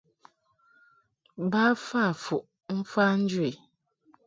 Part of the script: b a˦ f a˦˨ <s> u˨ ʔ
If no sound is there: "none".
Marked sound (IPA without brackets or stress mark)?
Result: f